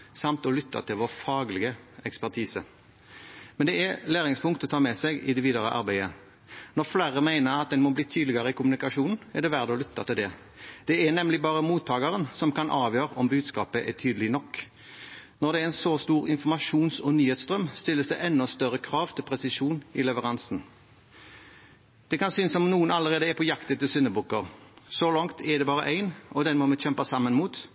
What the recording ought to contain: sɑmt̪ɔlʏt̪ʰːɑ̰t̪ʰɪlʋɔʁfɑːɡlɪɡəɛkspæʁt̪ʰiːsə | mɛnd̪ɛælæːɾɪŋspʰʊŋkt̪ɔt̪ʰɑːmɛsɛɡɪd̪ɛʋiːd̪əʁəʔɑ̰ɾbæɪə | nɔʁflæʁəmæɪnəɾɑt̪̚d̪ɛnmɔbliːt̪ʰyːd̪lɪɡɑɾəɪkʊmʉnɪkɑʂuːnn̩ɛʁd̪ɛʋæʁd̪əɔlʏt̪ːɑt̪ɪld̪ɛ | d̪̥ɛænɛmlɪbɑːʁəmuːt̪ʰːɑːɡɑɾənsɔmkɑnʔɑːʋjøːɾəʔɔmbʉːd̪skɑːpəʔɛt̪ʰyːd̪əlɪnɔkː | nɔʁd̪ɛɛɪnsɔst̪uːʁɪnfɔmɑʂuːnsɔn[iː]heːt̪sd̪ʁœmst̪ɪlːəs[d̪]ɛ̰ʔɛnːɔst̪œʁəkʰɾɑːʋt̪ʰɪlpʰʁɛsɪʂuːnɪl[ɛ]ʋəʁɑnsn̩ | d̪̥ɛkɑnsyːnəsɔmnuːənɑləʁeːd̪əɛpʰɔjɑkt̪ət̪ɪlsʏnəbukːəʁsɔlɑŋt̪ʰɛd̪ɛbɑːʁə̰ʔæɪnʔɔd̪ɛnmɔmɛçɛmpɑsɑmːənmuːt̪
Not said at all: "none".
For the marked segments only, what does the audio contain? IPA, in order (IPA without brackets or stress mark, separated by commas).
yː, d̪, ɛ